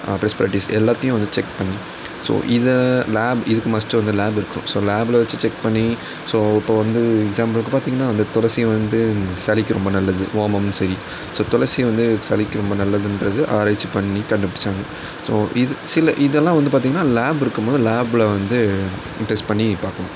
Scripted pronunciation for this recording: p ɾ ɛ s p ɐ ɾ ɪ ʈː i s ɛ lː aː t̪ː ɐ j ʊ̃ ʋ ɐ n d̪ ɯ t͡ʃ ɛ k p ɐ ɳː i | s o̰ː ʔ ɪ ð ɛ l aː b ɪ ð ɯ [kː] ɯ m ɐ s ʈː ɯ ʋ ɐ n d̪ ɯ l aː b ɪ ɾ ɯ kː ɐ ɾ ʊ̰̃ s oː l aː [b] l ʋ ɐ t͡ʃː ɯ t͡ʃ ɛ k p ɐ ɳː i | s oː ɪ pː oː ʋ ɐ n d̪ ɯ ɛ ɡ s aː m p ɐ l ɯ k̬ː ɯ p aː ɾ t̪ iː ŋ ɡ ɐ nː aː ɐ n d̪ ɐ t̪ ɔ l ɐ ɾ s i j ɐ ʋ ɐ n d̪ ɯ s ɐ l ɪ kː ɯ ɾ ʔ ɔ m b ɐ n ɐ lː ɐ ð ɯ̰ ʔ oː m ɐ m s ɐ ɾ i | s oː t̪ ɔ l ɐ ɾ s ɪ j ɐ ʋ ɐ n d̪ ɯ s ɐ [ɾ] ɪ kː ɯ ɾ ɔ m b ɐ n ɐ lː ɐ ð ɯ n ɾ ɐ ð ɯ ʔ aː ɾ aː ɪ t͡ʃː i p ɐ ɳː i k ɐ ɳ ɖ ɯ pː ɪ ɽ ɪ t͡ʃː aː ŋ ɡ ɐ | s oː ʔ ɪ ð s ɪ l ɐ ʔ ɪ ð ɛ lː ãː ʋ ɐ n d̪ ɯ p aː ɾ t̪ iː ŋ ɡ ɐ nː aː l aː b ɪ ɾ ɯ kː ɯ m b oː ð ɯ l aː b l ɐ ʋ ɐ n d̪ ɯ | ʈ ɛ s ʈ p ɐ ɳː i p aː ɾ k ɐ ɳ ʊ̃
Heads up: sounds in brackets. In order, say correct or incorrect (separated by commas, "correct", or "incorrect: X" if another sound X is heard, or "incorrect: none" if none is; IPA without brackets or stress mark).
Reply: correct, correct, incorrect: l